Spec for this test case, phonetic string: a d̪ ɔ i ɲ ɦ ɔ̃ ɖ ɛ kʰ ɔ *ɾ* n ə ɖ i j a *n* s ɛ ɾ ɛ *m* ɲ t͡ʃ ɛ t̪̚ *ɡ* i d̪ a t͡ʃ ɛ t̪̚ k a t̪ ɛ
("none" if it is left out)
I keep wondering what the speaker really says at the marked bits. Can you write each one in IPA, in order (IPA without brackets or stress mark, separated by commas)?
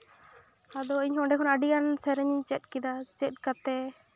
none, n, ɲ, k